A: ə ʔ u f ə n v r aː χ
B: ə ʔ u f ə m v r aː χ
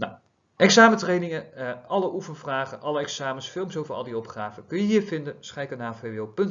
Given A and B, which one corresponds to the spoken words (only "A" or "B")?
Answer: A